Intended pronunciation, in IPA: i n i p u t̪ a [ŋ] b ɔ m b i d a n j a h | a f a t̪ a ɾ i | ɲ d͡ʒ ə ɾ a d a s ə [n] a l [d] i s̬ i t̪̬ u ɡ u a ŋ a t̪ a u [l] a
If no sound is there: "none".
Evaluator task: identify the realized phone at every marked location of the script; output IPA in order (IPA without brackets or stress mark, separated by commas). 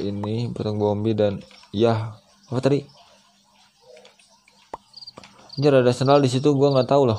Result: ŋ, n, d, l